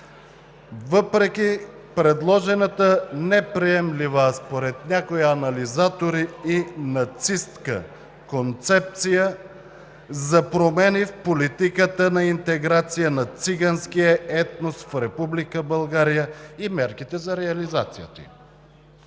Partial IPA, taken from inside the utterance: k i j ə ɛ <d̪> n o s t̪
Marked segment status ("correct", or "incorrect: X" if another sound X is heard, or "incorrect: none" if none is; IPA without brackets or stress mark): incorrect: t̪